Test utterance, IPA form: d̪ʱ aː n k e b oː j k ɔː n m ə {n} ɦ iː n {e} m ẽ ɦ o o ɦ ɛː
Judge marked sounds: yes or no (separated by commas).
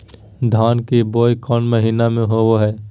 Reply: no, no